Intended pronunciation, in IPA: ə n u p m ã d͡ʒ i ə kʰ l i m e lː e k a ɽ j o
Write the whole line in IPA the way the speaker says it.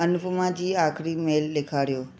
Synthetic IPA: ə n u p m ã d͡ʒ i a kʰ ɾ i m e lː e kʰ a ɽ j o